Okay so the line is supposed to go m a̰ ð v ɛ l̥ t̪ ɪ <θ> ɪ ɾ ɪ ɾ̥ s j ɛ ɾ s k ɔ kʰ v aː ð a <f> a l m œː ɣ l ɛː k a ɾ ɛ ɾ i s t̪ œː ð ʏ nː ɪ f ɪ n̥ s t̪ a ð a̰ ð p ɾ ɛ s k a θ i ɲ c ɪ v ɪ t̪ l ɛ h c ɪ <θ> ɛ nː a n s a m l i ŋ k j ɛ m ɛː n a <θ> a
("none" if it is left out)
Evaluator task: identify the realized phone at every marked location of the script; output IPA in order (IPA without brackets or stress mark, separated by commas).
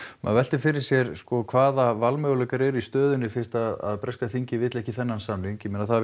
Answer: f, v, θ, θ